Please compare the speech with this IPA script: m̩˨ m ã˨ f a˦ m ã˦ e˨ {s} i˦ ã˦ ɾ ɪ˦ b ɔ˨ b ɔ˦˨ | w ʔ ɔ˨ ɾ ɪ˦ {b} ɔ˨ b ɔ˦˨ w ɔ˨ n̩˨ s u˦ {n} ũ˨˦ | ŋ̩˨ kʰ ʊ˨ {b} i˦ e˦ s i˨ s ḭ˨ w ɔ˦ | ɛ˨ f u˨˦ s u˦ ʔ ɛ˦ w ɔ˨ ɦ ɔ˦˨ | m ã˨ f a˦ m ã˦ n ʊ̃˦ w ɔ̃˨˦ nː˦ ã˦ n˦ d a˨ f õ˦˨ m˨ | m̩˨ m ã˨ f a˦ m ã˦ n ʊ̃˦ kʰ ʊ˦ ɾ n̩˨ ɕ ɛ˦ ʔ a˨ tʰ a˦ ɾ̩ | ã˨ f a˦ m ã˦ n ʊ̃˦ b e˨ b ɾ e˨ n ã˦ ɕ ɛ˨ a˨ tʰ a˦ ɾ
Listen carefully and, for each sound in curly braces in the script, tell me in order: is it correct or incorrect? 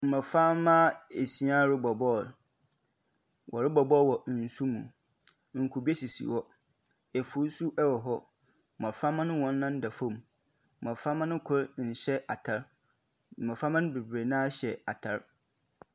correct, correct, incorrect: m, correct

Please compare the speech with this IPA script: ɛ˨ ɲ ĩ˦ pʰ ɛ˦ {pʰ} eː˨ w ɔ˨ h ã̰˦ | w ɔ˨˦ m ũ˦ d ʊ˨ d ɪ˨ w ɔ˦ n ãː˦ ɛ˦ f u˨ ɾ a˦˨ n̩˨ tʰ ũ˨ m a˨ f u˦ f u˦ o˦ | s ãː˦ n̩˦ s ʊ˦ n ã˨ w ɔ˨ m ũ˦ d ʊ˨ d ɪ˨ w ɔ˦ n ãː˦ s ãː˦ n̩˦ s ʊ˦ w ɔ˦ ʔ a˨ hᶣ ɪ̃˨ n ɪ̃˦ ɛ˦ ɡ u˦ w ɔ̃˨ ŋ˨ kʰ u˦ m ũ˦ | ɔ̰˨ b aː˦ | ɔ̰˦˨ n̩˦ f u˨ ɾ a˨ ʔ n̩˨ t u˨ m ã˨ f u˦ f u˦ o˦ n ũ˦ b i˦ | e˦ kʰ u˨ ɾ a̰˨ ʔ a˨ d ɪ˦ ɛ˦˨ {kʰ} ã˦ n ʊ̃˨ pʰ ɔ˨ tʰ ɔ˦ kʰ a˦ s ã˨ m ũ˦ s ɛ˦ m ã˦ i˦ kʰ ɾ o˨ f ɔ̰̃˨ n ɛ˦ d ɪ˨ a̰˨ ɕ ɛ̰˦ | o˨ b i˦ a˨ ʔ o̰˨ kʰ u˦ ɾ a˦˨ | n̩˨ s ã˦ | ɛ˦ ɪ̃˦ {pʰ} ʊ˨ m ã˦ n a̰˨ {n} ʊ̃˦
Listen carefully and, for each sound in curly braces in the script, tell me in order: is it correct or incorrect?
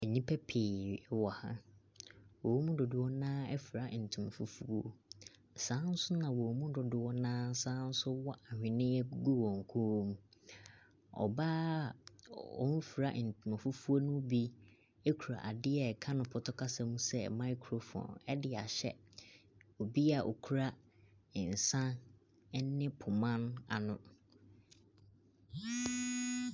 correct, correct, correct, correct

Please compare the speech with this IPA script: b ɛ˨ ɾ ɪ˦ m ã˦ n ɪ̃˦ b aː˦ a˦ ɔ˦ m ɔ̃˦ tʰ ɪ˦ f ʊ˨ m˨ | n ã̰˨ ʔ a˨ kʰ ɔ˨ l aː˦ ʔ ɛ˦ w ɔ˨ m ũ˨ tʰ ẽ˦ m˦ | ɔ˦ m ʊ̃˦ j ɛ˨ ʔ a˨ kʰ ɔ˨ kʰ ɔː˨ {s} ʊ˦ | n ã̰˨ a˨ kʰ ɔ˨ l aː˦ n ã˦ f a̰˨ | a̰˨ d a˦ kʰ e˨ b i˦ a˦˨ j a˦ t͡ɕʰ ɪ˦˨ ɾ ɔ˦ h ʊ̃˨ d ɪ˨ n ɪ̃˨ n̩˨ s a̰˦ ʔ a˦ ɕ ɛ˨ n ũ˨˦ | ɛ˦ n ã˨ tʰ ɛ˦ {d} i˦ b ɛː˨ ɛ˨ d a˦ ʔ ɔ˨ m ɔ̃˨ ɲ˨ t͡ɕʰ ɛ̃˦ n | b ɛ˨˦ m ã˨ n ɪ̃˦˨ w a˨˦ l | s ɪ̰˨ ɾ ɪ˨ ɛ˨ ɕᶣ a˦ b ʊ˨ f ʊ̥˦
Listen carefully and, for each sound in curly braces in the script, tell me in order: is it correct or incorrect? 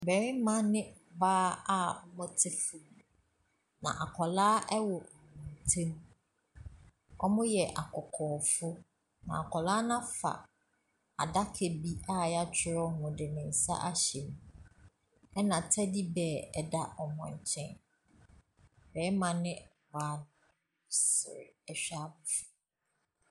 incorrect: f, correct

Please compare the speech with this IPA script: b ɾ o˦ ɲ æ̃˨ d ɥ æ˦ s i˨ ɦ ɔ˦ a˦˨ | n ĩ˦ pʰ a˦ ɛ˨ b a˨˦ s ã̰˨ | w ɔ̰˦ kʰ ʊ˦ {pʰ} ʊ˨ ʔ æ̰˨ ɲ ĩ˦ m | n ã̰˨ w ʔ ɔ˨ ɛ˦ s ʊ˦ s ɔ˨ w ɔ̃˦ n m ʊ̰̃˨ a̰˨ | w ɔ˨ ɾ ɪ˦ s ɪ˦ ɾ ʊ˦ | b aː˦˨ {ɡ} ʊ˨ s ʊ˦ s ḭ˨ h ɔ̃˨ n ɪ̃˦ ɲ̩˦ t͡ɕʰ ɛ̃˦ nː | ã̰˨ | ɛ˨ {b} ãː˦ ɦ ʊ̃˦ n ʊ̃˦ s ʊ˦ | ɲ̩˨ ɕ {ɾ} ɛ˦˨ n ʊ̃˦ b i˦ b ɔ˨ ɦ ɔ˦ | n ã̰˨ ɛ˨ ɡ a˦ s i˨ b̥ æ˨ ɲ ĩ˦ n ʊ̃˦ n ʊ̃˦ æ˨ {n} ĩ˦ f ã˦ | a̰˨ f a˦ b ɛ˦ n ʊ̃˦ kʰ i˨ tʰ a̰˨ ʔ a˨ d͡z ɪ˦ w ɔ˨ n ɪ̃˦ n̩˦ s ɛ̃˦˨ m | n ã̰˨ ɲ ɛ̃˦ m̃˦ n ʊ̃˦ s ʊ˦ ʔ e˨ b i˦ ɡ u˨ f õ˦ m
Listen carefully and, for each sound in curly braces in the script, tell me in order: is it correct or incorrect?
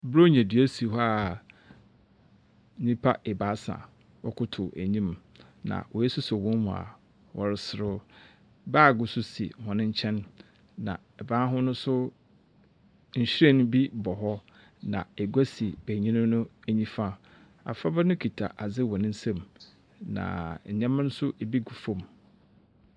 incorrect: tʰ, correct, correct, correct, incorrect: ɲ

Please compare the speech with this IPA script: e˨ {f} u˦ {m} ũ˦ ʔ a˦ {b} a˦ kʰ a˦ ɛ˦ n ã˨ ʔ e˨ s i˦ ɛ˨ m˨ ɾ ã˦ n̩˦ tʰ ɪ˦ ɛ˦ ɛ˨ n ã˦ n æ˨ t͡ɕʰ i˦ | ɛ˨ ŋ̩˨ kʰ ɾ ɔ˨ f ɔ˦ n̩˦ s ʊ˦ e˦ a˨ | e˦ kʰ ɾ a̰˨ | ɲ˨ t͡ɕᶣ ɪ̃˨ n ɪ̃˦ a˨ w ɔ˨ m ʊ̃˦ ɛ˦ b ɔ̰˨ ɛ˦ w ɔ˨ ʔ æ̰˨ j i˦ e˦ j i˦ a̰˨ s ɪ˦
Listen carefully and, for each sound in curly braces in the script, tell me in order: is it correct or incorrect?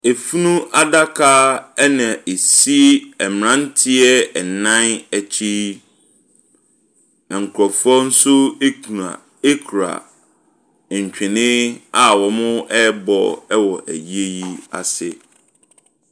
correct, incorrect: n, incorrect: d

